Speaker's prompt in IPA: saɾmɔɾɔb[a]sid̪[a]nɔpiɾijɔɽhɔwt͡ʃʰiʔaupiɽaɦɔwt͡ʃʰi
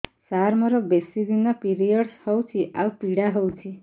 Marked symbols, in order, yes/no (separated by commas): no, no